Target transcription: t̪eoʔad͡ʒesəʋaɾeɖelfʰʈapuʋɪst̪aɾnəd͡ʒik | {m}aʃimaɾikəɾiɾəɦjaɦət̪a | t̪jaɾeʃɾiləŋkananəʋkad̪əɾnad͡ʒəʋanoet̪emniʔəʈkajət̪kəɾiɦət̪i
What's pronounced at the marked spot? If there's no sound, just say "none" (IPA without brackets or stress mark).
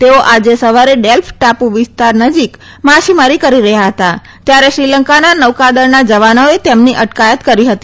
m